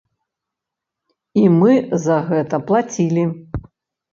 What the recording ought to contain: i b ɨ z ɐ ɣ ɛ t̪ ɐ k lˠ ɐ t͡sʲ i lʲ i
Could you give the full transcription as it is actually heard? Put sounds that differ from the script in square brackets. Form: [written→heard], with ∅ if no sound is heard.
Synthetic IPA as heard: i [b→m] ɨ z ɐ ɣ ɛ t̪ ɐ [k→p] lˠ [ɐ→a] t͡sʲ i lʲ i